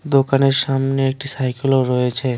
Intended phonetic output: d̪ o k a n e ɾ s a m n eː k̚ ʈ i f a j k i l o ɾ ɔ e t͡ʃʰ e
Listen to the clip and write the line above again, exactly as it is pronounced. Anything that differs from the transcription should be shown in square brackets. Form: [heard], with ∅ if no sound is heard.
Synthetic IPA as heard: d̪ o k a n e ɾ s a m n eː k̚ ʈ i [s] a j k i l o ɾ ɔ e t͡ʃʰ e